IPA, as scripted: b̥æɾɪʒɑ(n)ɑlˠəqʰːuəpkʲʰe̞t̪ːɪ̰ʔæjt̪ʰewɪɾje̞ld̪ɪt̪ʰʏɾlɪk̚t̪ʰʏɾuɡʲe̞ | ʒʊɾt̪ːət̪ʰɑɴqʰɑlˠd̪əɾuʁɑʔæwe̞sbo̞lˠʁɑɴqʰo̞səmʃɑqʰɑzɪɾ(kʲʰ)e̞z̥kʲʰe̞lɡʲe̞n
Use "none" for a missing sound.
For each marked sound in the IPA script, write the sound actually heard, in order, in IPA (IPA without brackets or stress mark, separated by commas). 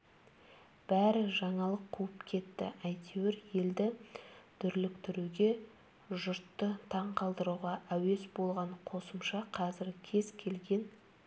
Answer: ɴ, kʲʰ